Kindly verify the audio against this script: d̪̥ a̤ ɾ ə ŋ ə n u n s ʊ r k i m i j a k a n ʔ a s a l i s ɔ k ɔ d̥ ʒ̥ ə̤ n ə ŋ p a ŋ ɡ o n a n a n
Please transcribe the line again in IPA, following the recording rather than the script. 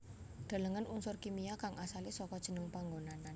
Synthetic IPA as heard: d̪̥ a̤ l ə ŋ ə n u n s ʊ r k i m i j a k a ŋ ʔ a s a l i s ɔ k ɔ d̥ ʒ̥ ə̤ n ə ŋ p a ŋ ɡ o n a n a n